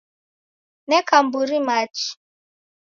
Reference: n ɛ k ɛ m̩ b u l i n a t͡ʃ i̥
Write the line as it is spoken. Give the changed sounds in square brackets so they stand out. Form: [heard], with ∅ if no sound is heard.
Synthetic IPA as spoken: n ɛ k [a] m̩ b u [ɾ] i [m] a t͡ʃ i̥